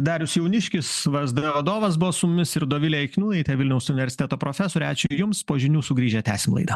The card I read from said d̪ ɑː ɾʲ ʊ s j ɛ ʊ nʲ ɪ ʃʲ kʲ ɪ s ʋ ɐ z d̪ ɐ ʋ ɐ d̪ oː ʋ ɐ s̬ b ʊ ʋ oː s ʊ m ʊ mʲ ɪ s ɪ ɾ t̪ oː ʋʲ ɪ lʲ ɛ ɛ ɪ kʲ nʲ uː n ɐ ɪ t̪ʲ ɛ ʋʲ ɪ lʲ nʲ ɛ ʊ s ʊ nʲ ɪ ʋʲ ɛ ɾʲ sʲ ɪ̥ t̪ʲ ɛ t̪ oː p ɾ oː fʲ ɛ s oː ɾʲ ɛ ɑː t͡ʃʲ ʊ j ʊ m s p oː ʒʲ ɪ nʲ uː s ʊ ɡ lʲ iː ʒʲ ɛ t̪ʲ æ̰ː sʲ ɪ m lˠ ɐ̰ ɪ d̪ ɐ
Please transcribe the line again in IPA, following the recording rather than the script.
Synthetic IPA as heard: d̪ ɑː ɾʲ ʊ s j ɛ ʊ nʲ ɪ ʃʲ kʲ ɪ s ʋ ɐ z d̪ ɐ ʋ ɐ d̪ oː ʋ ɐ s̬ b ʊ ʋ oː s ʊ m ʊ mʲ ɪ s ɪ ɾ d̪ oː ʋʲ ɪ lʲ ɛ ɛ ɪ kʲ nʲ uː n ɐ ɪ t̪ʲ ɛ ʋʲ ɪ lʲ nʲ ɛ ʊ s ʊ nʲ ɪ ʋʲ ɛ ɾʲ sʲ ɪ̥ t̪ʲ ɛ t̪ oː p ɾ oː fʲ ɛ s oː ɾʲ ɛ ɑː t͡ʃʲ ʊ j ʊ m s p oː ʒʲ ɪ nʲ uː s ʊ ɡ ɾʲ iː ʒʲ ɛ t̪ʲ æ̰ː sʲ ɪ m lˠ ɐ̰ ɪ d̪ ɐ